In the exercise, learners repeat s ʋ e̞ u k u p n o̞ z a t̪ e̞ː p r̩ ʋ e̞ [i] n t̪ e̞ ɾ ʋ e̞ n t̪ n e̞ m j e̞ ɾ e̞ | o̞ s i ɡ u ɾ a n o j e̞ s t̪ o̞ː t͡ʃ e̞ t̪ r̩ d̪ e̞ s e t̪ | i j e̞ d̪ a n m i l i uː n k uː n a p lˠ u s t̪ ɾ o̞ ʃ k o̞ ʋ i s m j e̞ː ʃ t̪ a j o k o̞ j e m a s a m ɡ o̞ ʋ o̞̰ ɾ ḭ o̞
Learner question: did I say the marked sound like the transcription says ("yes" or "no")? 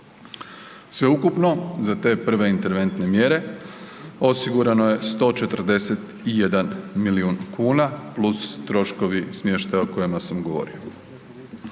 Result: yes